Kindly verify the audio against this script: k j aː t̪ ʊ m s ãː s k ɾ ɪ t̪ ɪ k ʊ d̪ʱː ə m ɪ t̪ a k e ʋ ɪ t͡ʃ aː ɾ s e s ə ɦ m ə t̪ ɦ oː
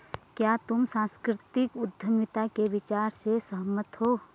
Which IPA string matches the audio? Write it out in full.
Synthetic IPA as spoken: k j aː t̪ ʊ m s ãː s k ɾ ɪ t̪ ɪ k ʊ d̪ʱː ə m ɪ t̪ a k e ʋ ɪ t͡ʃ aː ɾ s e s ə ɦ m ə t̪ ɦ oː